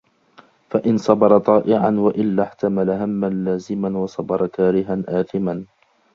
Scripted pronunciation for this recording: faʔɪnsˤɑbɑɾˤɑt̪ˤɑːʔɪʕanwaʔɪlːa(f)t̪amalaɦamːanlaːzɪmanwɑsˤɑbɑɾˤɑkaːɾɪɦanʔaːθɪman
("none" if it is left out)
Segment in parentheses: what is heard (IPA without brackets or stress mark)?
ħ